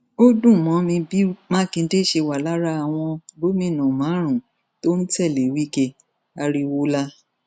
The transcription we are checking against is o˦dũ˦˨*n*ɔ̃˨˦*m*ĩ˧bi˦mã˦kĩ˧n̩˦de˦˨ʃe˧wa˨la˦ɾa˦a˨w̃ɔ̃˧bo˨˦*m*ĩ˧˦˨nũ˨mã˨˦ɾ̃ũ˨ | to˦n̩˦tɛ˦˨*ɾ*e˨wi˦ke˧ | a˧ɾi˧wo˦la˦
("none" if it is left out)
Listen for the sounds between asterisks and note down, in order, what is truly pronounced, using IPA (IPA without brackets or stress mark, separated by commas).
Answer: m, m, m, l